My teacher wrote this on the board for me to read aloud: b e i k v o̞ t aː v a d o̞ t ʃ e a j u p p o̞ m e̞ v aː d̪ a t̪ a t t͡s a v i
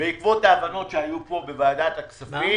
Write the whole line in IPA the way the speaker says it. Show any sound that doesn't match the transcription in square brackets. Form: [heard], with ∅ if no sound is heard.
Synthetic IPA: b e i k v o̞ t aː v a [n] o̞ t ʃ e a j u p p o̞ [b] e̞ v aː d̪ a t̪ a [k] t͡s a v i